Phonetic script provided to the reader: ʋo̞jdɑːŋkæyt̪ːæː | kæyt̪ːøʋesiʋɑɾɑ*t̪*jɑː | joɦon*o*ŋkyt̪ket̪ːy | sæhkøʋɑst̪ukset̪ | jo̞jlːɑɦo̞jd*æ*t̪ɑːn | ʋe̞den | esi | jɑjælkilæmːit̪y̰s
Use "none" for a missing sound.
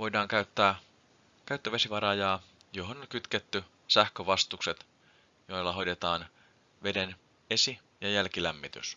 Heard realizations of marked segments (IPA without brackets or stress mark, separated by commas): none, o, e